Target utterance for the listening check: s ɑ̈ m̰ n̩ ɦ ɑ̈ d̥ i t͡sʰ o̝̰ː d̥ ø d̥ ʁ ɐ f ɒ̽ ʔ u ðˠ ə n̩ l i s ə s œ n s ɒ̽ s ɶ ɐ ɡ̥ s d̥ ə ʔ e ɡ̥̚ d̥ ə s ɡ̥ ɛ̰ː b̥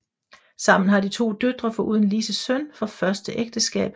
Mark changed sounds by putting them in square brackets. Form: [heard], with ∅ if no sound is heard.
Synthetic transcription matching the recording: s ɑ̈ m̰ n̩ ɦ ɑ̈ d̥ i t͡sʰ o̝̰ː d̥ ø d̥ ʁ ɐ f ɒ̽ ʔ u ðˠ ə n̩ l i s ə s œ n [f] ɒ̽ [f] ɶ ɐ [∅] s d̥ ə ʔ e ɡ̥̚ d̥ ə s ɡ̥ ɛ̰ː b̥